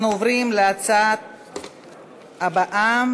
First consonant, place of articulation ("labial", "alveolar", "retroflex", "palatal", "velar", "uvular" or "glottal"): alveolar